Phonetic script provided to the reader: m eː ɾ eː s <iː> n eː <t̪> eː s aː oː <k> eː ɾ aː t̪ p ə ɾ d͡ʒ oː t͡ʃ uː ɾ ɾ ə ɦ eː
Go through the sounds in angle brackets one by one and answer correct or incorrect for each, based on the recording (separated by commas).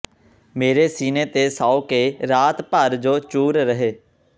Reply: correct, correct, correct